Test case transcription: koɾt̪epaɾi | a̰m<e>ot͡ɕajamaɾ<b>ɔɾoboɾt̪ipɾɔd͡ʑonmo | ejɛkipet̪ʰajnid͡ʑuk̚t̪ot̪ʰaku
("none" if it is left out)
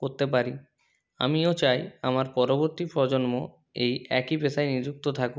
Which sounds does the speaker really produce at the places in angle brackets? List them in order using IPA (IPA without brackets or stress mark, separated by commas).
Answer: i, p